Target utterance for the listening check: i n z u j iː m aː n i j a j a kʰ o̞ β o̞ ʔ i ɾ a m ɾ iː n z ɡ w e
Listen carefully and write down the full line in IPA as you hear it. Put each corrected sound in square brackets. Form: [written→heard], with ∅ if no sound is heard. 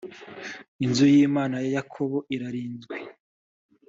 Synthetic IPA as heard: i n z u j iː m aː n [i→a] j a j a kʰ o̞ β o̞ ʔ i ɾ a [m→∅] ɾ iː n z ɡ w e